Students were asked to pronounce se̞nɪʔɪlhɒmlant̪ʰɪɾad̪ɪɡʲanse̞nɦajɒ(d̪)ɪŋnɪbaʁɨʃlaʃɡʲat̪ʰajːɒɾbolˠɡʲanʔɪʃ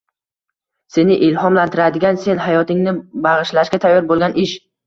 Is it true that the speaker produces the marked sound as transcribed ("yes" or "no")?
no